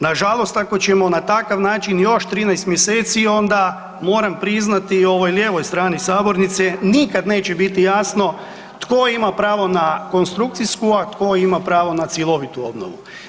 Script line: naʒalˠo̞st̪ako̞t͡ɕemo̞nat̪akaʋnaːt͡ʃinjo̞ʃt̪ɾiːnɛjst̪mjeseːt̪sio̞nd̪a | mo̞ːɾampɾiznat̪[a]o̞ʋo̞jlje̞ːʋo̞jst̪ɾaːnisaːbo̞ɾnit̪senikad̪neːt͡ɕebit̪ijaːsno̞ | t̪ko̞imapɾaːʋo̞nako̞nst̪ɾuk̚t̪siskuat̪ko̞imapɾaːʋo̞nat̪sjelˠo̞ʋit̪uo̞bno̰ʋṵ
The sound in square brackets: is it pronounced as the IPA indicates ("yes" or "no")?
no